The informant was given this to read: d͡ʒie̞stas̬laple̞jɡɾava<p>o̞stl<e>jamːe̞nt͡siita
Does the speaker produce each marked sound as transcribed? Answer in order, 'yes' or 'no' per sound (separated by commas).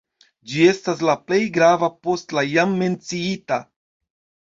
yes, no